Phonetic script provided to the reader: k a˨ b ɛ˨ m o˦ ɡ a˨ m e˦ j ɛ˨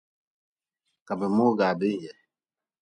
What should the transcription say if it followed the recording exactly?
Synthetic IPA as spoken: k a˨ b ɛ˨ m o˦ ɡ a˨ b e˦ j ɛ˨